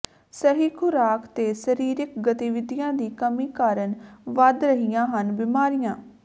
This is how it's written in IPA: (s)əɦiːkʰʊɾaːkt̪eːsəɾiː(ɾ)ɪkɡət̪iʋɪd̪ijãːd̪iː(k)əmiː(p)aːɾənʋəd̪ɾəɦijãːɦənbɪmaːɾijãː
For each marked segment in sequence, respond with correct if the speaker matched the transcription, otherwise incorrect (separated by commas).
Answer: correct, correct, correct, incorrect